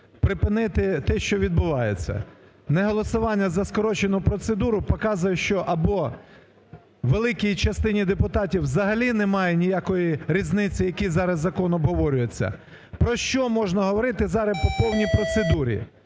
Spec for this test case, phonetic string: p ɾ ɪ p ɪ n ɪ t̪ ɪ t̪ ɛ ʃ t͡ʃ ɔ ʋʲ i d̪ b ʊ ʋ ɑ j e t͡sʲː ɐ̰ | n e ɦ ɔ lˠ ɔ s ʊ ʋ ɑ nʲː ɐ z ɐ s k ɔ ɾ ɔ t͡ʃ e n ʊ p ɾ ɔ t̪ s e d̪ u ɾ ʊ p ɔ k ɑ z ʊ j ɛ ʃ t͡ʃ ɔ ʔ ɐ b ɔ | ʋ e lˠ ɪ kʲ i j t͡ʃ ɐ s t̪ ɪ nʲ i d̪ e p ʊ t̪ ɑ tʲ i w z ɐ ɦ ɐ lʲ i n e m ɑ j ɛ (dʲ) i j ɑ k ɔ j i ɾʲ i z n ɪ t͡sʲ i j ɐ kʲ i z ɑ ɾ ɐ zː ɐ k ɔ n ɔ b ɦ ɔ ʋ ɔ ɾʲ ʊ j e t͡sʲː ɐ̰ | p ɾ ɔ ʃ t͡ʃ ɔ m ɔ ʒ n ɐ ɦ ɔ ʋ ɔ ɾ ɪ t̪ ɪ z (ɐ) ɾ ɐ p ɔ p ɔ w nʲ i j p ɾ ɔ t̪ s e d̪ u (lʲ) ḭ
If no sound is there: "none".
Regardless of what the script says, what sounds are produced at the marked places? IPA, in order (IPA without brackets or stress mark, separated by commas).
nʲ, ɑ, ɾʲ